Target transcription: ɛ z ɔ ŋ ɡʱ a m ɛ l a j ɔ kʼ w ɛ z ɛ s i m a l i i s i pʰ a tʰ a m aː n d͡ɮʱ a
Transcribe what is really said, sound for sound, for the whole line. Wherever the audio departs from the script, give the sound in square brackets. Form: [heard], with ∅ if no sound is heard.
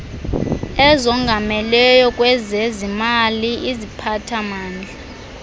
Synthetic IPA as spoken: ɛ z ɔ ŋ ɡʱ a m ɛ l [ɛ] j ɔ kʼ w ɛ z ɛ [z] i m a l i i [z] i pʰ a tʰ a m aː n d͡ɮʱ a